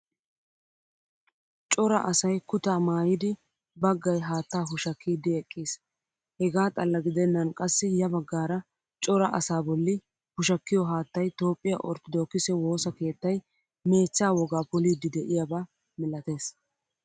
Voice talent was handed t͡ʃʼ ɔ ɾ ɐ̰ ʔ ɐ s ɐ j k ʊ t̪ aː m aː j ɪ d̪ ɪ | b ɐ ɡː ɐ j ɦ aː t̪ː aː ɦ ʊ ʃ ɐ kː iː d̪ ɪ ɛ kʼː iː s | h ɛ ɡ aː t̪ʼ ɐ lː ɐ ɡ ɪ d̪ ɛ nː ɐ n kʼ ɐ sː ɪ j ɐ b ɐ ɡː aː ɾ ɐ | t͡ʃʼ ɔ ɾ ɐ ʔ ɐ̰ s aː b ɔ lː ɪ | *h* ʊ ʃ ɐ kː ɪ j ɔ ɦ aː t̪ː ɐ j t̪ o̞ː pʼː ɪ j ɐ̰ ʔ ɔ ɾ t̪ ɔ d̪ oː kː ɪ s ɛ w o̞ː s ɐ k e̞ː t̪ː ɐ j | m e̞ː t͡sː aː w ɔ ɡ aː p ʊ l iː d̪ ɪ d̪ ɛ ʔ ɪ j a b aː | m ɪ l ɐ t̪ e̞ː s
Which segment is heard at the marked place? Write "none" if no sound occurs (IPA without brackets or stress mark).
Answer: h